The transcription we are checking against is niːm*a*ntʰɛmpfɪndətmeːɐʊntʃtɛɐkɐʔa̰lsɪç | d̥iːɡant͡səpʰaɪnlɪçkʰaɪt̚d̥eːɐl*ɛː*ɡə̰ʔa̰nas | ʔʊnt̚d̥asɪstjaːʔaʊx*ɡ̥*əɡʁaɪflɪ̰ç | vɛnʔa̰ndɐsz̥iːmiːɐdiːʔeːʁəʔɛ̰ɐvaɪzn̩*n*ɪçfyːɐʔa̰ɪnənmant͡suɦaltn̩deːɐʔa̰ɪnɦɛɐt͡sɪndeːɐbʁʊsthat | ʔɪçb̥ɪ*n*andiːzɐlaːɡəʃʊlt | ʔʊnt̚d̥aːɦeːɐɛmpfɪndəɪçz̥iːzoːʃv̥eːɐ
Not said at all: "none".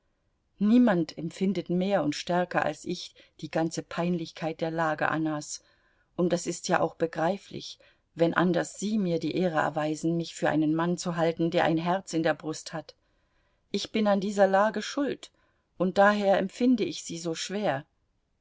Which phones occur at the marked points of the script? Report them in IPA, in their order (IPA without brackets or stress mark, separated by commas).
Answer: a, aː, b̥, m, n